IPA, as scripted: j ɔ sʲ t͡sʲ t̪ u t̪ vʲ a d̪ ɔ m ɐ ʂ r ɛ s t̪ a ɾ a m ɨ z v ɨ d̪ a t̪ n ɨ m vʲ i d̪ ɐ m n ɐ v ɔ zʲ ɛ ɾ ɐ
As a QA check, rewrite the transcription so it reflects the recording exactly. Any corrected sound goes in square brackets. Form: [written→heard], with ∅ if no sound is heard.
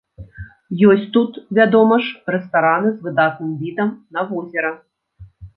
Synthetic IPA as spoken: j ɔ sʲ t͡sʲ t̪ u t̪ vʲ a d̪ ɔ m ɐ ʂ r ɛ s t̪ a ɾ a [m→n] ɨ z v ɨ d̪ a t̪ n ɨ m vʲ i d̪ ɐ m n ɐ v ɔ zʲ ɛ ɾ ɐ